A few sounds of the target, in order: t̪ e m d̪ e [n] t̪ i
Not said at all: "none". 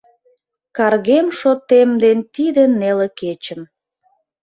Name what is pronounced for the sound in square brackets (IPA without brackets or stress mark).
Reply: n